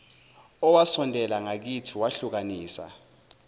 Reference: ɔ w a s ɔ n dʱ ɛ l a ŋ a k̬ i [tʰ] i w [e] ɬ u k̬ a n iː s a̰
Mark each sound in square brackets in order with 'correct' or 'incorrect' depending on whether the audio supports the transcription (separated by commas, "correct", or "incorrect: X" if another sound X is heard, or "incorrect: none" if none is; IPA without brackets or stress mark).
correct, incorrect: a